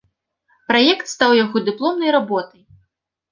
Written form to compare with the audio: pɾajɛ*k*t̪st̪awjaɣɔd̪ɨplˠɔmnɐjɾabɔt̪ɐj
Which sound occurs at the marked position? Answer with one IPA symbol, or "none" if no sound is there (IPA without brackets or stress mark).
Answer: k